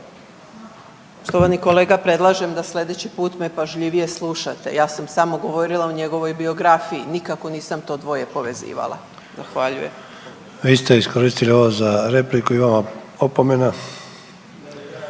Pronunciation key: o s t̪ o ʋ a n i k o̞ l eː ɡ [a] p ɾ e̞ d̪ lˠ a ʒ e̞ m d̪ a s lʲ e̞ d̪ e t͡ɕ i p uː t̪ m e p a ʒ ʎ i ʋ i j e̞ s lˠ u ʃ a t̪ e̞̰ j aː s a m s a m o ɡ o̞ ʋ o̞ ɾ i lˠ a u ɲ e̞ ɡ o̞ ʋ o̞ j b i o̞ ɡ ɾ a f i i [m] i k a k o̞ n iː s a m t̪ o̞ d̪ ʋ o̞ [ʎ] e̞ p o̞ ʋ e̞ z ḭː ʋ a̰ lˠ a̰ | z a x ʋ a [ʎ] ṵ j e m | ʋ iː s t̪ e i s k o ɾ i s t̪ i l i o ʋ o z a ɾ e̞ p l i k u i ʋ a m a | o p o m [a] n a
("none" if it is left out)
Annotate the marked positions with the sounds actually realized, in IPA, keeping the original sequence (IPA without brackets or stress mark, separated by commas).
a, n, j, ʎ, e